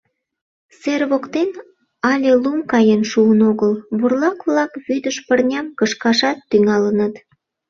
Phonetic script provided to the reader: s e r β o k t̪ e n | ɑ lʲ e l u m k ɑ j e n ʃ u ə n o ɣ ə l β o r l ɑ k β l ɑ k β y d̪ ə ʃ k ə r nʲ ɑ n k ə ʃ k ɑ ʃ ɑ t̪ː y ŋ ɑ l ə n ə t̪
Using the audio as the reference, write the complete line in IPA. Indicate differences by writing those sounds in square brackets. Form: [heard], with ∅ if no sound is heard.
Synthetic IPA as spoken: s e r β o k t̪ e n | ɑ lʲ e l u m k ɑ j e n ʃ u ə n o ɣ ə l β [u] r l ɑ k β l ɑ k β y d̪ ə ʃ [p] ə r nʲ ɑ [m] k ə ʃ k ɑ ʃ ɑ t̪ː y ŋ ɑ l ə n ə t̪